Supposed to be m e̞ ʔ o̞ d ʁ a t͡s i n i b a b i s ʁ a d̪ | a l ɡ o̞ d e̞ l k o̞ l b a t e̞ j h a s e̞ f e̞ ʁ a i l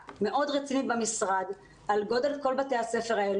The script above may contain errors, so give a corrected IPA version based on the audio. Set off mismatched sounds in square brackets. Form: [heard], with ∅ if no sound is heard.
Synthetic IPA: m e̞ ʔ o̞ d ʁ [e] t͡s i n i b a [m] i s ʁ a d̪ | a l ɡ o̞ d e̞ l k o̞ l b a t e̞ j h a s e̞ f e̞ ʁ a [e] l